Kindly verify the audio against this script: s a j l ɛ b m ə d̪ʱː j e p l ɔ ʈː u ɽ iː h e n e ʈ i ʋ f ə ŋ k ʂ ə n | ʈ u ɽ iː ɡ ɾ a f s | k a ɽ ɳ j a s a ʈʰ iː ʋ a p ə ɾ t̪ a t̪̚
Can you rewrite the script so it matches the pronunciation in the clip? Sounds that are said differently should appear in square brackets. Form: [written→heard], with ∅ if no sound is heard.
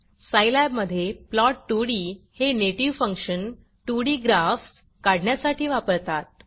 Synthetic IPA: s a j l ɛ b m ə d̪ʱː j e p l ɔ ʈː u ɽ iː h e n e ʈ i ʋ f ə ŋ k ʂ ə n | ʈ u ɽ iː ɡ ɾ a f s | k a ɽ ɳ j a s a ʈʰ iː ʋ a p ə ɾ t̪ a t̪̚